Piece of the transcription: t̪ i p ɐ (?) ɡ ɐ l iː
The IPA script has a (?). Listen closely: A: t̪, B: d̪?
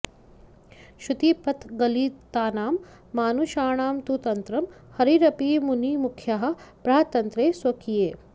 A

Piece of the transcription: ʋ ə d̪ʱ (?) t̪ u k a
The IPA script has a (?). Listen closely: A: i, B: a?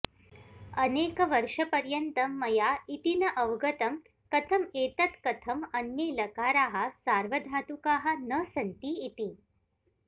B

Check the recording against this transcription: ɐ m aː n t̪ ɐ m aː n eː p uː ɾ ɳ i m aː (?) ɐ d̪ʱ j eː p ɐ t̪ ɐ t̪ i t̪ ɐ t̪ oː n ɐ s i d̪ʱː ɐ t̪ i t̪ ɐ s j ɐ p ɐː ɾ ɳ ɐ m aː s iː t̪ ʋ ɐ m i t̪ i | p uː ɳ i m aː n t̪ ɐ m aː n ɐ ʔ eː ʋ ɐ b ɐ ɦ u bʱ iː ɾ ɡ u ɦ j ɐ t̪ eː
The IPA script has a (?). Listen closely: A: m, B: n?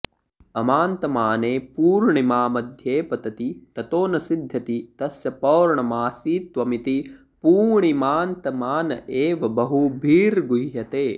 A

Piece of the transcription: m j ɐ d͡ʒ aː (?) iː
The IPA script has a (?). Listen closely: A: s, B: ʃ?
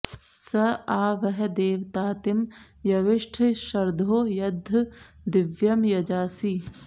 A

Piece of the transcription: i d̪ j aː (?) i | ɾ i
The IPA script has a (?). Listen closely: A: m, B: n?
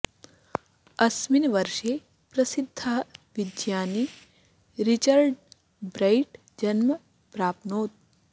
B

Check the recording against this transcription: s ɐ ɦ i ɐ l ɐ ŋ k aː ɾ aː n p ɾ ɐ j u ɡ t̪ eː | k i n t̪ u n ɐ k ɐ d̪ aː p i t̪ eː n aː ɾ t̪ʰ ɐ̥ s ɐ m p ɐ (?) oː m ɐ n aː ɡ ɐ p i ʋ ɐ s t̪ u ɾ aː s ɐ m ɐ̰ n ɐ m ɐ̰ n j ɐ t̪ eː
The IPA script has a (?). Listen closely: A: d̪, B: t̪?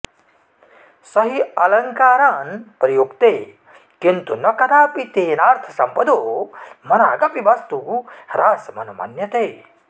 A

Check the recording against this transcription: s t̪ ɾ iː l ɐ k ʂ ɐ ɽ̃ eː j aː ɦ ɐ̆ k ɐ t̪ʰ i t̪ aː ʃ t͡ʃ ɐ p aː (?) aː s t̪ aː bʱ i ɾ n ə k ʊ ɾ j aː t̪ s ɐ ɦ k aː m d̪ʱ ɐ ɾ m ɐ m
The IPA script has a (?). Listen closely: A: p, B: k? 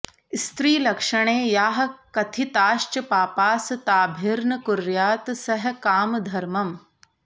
A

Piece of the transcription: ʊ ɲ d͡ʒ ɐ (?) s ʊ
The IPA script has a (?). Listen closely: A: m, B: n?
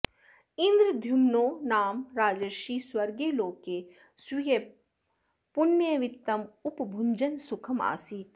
B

